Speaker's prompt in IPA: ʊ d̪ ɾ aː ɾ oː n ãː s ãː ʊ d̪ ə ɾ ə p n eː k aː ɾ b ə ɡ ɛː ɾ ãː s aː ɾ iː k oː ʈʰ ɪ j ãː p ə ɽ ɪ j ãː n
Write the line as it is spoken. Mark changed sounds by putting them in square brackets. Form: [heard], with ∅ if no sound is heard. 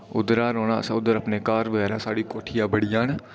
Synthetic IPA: ʊ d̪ ɾ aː ɾ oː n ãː s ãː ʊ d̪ ə ɾ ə p n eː k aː ɾ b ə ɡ ɛː ɾ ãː s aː [ɽ] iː k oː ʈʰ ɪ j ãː [b] ə ɽ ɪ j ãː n